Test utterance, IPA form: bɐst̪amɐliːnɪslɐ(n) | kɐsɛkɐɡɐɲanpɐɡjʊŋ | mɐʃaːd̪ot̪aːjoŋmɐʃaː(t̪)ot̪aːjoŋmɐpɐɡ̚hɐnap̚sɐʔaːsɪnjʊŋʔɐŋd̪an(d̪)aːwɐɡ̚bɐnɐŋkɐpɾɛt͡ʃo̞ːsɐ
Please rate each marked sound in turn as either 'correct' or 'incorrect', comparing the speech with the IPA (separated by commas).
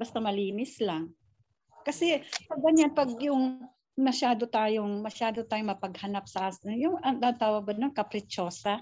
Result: incorrect, incorrect, incorrect